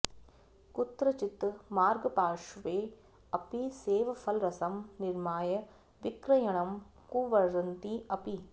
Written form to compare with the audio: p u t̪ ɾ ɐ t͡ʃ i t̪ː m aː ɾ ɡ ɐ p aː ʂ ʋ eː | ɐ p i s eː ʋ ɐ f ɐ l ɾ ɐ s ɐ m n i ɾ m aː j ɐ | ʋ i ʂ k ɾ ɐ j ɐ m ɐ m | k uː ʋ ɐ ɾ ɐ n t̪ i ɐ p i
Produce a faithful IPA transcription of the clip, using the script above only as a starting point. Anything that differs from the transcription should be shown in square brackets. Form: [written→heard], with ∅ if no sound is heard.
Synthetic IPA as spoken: [p→k] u t̪ ɾ ɐ t͡ʃ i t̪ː m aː ɾ ɡ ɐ p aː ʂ ʋ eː | ɐ p i s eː ʋ ɐ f ɐ l ɾ ɐ s ɐ m n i ɾ m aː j ɐ | ʋ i [ʂ→∅] k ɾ ɐ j ɐ [m→ɳ] ɐ m | k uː ʋ ɐ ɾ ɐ n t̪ i ɐ p i